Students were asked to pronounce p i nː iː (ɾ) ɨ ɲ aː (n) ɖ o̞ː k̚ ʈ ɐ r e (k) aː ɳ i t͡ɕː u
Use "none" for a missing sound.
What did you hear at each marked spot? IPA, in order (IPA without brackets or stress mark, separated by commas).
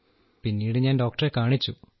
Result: ɽ, n, k